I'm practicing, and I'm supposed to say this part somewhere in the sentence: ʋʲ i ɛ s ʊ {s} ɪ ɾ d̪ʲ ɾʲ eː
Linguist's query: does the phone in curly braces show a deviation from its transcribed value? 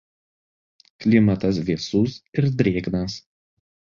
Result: no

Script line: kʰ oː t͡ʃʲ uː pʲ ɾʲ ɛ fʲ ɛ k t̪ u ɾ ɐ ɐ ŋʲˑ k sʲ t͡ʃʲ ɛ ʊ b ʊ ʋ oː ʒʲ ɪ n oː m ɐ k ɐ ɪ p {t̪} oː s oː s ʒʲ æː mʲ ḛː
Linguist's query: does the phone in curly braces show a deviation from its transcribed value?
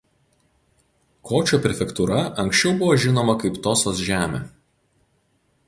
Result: no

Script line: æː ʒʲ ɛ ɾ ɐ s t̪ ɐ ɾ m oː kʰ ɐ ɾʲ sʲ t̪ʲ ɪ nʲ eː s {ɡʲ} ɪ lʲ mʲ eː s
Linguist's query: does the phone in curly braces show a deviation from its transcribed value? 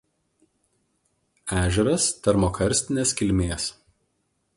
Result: yes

